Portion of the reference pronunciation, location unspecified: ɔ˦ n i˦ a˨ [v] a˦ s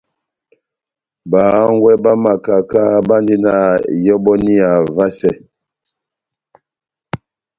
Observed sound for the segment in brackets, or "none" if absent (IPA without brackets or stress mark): v